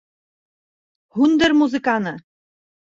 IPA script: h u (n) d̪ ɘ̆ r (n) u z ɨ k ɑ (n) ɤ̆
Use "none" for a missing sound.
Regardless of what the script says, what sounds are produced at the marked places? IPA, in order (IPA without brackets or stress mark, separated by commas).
n, m, n